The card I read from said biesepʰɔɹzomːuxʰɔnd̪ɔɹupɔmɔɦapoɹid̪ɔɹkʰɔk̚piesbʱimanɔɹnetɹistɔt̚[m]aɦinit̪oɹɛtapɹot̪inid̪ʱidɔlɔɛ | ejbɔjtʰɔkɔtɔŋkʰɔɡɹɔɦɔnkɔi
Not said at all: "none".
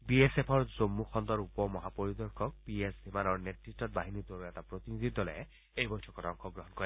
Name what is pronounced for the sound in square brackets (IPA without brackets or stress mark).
b